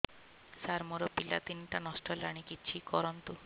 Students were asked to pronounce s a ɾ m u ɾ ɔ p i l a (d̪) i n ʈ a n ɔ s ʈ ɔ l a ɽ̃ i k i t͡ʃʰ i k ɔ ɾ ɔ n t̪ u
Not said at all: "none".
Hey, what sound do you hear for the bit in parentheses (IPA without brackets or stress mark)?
t̪